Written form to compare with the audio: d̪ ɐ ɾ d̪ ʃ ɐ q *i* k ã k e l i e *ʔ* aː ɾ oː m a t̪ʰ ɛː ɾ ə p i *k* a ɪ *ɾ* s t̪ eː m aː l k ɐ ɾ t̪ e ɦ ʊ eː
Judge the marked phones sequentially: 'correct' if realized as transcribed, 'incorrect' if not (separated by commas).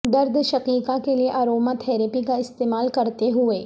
incorrect, correct, correct, incorrect